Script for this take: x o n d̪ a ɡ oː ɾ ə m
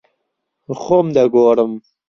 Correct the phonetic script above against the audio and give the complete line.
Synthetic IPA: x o m d̪ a ɡ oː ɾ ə m